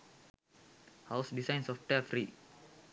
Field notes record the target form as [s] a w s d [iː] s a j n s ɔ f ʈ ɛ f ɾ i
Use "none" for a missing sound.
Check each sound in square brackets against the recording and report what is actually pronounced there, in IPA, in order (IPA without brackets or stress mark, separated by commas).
h, i